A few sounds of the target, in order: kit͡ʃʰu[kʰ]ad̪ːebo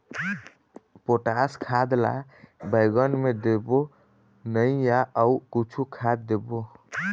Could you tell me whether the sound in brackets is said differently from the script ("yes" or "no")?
no